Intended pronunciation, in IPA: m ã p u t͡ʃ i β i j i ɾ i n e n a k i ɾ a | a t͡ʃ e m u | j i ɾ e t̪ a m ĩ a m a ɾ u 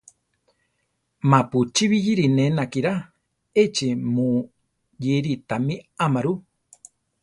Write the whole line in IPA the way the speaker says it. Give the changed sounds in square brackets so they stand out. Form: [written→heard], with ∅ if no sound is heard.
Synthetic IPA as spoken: m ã p u t͡ʃ i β i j i ɾ i n e n a k i ɾ a | [a→e] t͡ʃ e m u | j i ɾ [e→i] t̪ a m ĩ a m a ɾ u